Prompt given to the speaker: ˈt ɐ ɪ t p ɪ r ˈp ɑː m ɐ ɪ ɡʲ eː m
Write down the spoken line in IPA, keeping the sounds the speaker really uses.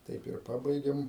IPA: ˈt ɐ ɪ p ɪ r ˈp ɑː b ɐ ɪ ɡʲ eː m

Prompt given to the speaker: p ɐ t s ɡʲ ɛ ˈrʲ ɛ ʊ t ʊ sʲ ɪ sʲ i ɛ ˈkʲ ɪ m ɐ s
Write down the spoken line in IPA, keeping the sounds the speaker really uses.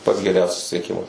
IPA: p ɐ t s ɡʲ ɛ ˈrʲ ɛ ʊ s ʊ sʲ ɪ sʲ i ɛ ˈkʲ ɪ m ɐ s

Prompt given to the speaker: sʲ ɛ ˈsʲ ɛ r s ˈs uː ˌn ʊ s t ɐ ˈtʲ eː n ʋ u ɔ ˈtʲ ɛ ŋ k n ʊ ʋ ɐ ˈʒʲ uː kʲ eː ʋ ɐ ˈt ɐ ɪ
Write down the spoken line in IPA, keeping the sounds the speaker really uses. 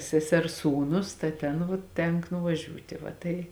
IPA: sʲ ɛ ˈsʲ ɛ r s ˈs uː ˌn ʊ s t ɐ ˈtʲ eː n ʋ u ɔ ˈtʲ ɛ ŋ k n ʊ ʋ ɐ ˈʒʲ uː tʲ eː ʋ ɐ ˈt ɐ ɪ

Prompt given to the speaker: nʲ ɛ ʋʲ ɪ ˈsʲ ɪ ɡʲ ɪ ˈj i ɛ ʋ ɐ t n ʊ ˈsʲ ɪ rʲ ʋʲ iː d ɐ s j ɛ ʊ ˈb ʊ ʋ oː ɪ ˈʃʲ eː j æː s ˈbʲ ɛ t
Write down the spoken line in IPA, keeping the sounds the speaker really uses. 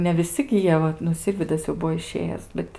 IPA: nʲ ɛ ʋʲ ɪ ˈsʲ ɪ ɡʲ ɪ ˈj i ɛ ʋ ɐ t n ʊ ˈsʲ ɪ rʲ ʋʲ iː d ɐ s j ɛ ʊ ˈb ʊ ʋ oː ɪ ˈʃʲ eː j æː s ˈbʲ ɛ t

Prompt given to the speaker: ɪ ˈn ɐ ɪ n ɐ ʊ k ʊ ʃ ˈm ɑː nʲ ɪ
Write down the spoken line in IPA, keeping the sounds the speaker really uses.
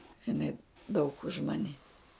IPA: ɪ ˈn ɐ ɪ d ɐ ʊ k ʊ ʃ ˈm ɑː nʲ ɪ

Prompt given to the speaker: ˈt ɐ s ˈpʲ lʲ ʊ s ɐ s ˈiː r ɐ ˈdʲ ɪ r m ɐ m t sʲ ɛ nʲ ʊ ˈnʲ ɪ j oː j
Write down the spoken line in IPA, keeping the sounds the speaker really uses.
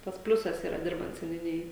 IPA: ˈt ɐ s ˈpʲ lʲ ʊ s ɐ s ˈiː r ɐ ˈdʲ ɪ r b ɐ n t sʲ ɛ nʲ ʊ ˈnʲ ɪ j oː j

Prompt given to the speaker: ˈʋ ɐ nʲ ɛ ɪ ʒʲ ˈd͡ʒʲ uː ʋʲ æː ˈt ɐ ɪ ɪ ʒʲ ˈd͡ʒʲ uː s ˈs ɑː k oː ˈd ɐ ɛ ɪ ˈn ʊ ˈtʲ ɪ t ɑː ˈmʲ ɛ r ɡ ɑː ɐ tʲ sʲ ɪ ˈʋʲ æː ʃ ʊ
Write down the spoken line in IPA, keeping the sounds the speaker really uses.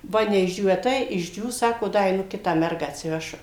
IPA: ˈʋ ɐ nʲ ɛ ɪ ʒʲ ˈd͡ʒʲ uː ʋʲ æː ˈt ɐ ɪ ɪ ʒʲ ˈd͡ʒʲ uː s ˈs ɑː k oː ˈd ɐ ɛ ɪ ˈn ʊ ˈkʲ ɪ t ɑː ˈmʲ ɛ r ɡ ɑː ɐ tʲ sʲ ɪ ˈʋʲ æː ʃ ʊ

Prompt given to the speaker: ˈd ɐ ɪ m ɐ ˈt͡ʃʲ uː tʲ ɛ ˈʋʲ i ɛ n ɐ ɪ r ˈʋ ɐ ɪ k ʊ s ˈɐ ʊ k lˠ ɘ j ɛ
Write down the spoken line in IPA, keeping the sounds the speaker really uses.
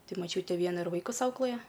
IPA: ˈt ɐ ɪ m ɐ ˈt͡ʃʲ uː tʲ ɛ ˈʋʲ i ɛ n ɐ ɪ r ˈʋ ɐ ɪ k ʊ s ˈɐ ʊ k lˠ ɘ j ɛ

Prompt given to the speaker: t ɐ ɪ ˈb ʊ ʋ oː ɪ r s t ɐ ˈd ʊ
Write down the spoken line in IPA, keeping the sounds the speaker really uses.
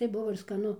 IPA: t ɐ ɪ ˈb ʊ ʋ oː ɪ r s k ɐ ˈn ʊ

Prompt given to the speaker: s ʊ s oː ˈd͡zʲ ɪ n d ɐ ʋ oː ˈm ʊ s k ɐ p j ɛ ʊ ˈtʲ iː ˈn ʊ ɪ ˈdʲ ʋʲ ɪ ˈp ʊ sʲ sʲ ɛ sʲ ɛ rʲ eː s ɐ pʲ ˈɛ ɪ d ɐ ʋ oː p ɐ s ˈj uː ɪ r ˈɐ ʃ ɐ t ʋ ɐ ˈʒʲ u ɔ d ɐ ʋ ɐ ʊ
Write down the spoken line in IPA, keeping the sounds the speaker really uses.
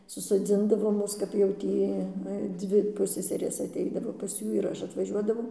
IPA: s ʊ s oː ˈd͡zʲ ɪ n d ɐ ʋ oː ˈm ʊ s k ɐ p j ɛ ʊ ˈtʲ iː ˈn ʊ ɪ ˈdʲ ʋʲ ɪ ˈp ʊ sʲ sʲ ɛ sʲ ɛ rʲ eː s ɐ tʲ ˈɛ ɪ d ɐ ʋ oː p ɐ s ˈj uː ɪ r ˈɐ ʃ ɐ t ʋ ɐ ˈʒʲ u ɔ d ɐ ʋ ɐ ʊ

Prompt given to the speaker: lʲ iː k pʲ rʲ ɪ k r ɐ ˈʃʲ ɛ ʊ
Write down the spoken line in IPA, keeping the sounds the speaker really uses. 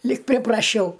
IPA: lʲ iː k pʲ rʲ ɪ p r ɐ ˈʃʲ ɛ ʊ

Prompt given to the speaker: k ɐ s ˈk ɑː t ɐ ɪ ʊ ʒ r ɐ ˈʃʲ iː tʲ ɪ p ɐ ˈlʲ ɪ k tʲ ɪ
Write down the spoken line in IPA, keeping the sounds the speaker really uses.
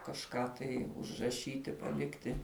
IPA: k ɐ ʃ ˈk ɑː t ɐ ɪ ʊ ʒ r ɐ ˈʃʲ iː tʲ ɪ p ɐ ˈlʲ ɪ k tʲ ɪ

